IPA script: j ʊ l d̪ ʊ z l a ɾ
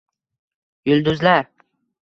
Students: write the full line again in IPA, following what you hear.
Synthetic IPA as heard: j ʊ l d̪ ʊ z l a ɾ